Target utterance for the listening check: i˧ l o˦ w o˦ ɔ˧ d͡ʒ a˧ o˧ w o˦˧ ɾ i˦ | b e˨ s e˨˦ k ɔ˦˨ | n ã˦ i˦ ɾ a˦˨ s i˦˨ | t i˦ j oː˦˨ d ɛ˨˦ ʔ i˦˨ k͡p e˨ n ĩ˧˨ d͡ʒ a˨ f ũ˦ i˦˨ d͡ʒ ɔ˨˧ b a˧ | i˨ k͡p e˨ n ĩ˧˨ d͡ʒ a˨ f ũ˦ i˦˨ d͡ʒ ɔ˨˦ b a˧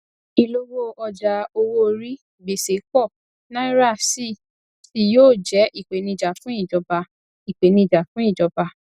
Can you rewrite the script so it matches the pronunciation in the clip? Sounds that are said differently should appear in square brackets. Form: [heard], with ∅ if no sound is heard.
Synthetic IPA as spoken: i˧ l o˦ w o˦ ɔ˧ d͡ʒ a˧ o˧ w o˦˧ ɾ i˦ | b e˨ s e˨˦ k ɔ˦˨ | n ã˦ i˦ ɾ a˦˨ s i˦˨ | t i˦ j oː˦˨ [d͡ʒ] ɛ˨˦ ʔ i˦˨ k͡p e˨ n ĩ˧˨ d͡ʒ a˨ f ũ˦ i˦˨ d͡ʒ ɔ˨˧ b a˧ | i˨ k͡p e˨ n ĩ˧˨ d͡ʒ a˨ f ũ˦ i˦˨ d͡ʒ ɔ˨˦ b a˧